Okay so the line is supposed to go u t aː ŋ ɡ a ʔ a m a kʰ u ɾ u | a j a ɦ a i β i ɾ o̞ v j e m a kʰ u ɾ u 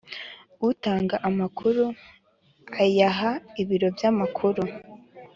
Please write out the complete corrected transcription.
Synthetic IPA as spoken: u t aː ŋ ɡ a ʔ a m a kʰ u ɾ u | a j a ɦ a i β i ɾ o̞ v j a m a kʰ u ɾ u